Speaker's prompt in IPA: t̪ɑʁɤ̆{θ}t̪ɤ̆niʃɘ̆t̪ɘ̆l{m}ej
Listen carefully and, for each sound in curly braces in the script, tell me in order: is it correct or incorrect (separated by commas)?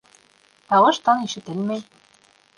incorrect, correct